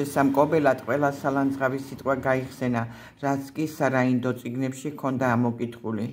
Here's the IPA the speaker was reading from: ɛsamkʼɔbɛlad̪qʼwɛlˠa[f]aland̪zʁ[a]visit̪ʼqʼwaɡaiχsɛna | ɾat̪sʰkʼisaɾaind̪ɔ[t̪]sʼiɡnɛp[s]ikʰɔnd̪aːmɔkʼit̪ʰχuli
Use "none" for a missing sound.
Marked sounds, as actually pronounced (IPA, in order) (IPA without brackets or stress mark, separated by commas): s, a, t̪, ʃ